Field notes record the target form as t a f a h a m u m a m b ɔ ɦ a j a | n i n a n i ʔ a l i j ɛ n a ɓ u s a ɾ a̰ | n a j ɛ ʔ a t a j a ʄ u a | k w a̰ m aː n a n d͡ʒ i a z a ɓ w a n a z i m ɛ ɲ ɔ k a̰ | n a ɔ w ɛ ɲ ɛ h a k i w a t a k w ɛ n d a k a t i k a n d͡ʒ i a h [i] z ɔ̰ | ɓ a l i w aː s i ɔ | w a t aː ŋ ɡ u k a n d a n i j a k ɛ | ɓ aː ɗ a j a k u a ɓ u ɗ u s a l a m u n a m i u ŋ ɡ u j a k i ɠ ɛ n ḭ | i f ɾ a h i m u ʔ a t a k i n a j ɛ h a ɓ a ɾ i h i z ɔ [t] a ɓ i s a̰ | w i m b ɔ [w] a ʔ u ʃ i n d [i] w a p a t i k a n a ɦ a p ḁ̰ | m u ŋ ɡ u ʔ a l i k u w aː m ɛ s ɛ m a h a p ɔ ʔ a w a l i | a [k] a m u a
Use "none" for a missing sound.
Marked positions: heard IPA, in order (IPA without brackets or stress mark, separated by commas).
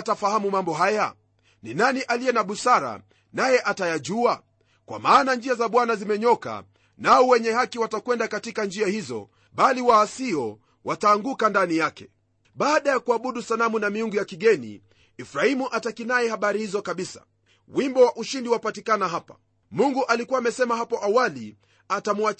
i, k, w, i, t